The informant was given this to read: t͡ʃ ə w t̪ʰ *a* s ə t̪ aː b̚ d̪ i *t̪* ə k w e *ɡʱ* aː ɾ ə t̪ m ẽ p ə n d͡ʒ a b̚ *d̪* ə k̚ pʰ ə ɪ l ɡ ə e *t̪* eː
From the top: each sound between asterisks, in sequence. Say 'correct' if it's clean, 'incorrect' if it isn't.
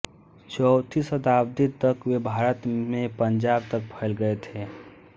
incorrect: i, correct, incorrect: bʱ, incorrect: t̪, incorrect: t̪ʰ

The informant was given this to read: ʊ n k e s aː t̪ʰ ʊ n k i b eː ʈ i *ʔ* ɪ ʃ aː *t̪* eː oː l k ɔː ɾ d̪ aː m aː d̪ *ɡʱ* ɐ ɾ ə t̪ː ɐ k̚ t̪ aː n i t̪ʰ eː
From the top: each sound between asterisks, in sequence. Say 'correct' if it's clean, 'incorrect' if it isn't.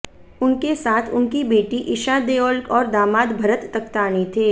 correct, incorrect: d̪, incorrect: bʱ

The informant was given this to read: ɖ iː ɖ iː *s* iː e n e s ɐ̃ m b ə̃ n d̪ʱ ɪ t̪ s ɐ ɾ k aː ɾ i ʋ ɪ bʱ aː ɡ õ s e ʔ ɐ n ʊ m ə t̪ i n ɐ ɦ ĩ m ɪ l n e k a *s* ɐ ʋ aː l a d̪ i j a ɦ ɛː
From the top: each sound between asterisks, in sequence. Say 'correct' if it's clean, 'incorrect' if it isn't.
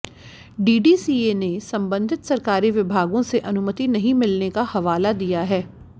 correct, incorrect: h

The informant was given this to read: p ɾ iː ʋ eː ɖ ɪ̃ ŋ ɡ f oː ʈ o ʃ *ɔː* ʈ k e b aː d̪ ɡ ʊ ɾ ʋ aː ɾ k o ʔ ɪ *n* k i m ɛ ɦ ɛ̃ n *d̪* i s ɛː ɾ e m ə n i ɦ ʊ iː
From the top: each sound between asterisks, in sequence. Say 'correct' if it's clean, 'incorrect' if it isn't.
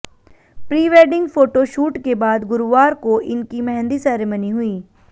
incorrect: uː, correct, correct

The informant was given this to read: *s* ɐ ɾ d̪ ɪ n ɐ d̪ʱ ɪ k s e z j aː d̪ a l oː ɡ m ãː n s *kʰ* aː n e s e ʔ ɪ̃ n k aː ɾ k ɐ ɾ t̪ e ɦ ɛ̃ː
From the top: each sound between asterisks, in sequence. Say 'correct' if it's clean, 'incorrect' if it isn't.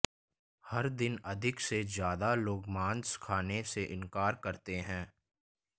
incorrect: h, correct

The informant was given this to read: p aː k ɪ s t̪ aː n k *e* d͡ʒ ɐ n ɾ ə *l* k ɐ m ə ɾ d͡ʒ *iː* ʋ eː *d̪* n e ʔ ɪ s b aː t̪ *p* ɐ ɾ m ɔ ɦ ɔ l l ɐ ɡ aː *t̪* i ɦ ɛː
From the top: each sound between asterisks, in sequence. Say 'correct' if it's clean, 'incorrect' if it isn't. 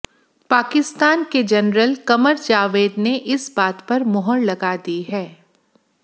correct, correct, incorrect: aː, correct, correct, incorrect: d̪

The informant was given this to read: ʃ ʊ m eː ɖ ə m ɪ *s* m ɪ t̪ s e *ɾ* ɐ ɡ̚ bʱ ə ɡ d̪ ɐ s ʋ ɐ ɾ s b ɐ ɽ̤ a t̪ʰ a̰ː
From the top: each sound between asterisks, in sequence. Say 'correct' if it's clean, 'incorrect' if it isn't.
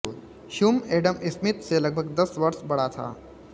correct, incorrect: l

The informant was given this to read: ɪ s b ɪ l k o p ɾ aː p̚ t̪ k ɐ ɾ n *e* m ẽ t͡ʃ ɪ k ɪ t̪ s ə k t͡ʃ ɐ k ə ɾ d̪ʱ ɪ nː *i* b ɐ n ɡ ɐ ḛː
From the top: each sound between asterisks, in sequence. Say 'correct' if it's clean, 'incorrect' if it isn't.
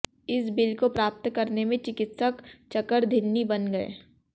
correct, correct

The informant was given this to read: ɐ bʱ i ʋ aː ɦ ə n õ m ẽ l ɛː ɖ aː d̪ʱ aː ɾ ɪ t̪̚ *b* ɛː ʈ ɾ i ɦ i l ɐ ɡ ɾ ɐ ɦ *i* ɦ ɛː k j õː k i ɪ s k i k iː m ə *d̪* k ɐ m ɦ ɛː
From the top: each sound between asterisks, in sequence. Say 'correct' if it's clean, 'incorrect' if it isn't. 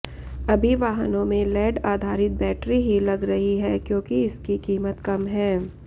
correct, correct, incorrect: t̪

